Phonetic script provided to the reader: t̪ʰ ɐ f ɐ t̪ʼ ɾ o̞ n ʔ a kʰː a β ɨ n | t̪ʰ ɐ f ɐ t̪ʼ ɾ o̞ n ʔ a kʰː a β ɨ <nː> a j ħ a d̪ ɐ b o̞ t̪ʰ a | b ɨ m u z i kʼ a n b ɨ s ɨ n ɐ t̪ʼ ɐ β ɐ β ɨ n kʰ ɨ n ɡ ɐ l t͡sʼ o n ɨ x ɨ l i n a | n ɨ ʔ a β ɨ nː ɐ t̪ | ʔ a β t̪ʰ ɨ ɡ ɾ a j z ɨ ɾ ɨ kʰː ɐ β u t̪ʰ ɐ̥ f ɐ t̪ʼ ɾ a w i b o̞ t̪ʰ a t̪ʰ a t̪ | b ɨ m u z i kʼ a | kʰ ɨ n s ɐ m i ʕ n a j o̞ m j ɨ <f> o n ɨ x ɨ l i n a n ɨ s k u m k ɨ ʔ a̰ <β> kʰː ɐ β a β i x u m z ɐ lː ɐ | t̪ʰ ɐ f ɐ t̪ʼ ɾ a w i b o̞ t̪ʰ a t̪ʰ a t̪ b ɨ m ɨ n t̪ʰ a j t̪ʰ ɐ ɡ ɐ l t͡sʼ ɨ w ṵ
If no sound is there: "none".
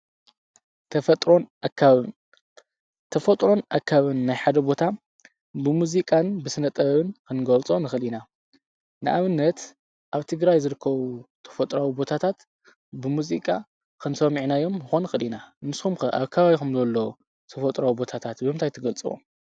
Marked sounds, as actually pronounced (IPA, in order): nː, x, β

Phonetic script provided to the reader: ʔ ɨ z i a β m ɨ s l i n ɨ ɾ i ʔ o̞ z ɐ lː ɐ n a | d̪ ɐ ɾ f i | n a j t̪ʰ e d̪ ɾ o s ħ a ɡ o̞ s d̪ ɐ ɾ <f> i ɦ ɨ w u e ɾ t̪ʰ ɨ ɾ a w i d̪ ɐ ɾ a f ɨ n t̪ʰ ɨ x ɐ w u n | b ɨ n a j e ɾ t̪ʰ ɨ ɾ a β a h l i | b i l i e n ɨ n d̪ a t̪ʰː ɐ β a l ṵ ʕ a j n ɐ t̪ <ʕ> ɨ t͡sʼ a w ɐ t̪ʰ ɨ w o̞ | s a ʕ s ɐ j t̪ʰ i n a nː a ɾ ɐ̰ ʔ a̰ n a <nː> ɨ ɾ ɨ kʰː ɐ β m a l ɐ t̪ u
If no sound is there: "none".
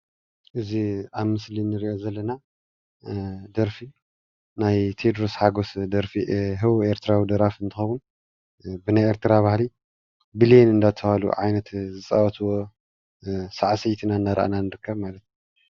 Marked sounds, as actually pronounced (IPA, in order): f, z, n

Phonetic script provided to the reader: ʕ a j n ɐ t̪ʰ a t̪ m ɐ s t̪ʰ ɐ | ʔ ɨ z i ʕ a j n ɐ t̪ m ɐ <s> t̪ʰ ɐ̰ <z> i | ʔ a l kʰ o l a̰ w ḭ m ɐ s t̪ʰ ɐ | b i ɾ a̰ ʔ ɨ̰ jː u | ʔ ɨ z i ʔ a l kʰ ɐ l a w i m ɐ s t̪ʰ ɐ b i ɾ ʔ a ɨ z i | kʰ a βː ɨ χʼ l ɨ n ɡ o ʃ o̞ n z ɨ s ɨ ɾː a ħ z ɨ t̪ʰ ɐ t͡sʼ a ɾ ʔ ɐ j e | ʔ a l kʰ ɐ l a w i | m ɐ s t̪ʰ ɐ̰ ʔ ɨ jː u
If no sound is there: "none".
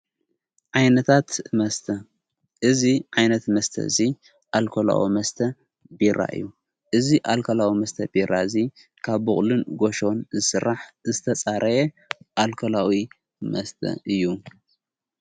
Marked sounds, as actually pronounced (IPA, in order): s, z

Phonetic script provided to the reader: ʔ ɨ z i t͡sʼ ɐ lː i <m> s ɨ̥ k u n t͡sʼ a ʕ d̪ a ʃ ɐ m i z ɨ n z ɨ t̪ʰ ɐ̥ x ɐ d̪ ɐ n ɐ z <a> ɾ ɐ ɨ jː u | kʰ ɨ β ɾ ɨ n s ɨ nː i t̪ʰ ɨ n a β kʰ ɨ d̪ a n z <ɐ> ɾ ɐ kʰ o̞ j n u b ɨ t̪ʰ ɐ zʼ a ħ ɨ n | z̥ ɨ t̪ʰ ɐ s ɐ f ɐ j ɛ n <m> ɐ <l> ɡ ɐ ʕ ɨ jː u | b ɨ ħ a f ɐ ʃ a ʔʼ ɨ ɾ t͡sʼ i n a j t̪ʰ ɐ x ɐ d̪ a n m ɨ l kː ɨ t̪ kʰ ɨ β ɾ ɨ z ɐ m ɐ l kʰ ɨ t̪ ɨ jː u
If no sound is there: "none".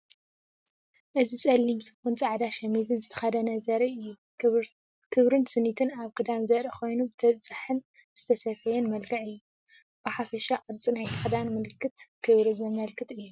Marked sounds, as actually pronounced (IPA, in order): m, ɐ, ɐ, m, l

